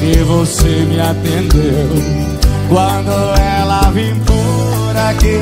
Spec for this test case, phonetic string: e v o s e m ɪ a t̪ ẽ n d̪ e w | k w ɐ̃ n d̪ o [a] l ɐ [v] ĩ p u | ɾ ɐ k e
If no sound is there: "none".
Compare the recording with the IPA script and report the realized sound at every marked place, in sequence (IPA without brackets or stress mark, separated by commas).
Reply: ɛ, v